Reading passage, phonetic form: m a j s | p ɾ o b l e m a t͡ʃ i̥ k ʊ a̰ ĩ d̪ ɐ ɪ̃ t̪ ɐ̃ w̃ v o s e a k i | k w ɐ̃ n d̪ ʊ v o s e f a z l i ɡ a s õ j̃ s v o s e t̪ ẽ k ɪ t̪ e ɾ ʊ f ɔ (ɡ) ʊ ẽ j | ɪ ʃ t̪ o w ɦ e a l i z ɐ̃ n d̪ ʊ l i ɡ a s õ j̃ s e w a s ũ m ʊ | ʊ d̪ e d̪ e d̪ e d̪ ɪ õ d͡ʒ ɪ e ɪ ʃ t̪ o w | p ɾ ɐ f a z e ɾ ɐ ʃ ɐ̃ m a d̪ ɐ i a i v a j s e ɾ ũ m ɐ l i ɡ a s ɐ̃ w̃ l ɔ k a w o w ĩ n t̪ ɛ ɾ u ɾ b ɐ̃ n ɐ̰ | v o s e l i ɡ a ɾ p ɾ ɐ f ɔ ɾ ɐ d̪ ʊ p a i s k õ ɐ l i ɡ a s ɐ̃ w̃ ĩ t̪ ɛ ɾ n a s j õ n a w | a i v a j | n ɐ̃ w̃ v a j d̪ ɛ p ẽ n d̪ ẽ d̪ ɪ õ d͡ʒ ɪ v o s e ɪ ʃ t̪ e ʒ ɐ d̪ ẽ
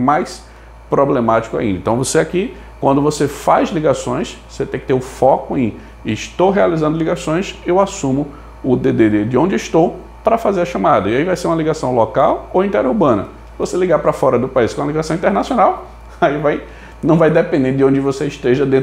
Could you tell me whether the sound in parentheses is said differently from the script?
yes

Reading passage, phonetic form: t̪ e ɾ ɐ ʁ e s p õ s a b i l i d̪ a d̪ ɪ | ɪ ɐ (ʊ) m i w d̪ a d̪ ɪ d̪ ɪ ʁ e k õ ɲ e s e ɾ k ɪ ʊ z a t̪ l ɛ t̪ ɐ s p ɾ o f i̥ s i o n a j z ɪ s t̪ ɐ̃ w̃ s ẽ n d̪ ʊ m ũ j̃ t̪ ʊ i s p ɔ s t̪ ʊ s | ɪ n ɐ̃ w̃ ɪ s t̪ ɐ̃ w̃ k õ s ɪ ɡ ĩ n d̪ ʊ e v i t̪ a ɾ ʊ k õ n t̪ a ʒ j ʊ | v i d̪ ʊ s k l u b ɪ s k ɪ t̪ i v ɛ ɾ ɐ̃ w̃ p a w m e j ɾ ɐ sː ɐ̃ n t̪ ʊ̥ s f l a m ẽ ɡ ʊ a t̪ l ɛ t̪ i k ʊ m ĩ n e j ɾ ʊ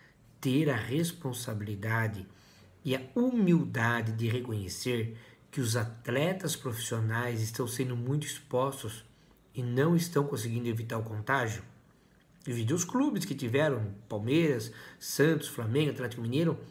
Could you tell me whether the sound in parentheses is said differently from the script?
yes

